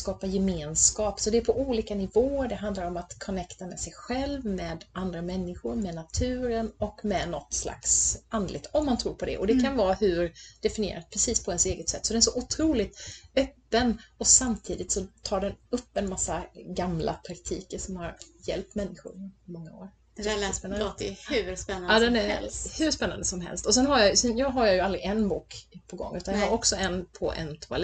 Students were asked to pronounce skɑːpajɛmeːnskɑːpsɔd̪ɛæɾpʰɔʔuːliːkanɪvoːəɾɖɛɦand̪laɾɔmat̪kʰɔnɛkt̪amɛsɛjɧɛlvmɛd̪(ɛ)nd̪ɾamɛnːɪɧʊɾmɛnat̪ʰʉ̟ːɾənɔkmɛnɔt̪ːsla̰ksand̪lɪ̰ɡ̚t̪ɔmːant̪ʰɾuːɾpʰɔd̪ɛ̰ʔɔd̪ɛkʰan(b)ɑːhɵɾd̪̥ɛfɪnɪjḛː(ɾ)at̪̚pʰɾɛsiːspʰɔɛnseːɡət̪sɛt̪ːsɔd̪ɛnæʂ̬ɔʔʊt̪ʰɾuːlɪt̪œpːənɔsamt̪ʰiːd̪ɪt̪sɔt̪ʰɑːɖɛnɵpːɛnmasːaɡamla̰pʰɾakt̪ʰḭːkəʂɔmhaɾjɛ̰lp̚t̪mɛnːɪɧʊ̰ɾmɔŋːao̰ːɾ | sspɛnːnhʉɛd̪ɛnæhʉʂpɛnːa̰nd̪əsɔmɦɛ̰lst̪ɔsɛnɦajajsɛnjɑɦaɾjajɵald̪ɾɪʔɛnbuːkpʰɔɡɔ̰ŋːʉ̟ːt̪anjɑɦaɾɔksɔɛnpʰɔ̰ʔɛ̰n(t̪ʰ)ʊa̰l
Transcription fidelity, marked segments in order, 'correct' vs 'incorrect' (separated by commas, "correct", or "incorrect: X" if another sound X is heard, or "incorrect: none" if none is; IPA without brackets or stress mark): incorrect: a, incorrect: v, correct, correct